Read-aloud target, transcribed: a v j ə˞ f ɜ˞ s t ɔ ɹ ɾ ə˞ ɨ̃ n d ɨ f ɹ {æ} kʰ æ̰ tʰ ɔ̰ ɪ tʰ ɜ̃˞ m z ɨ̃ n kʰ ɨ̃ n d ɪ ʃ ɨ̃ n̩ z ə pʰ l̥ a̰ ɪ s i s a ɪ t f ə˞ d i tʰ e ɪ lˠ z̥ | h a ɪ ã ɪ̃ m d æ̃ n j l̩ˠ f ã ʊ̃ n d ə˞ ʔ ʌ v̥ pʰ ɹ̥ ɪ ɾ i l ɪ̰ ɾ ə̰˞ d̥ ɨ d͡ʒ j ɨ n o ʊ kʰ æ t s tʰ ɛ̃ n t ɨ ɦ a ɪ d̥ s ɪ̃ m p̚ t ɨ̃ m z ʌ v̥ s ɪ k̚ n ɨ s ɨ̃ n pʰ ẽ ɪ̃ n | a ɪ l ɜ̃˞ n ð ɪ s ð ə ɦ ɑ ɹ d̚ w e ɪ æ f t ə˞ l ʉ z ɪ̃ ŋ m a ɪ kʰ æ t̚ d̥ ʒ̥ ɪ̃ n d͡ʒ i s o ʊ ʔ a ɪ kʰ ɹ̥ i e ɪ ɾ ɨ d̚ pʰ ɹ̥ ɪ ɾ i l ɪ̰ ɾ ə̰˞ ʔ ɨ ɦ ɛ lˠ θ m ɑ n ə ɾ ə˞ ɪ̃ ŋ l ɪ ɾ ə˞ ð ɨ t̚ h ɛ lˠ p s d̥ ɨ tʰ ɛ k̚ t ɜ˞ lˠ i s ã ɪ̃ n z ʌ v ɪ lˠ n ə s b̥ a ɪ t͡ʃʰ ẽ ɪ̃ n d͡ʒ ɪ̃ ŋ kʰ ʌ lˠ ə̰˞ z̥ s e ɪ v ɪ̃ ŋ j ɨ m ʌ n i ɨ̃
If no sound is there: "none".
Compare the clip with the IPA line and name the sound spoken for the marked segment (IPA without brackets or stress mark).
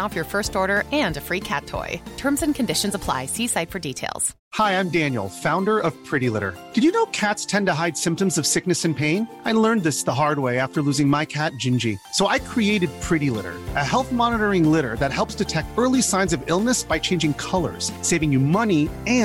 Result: i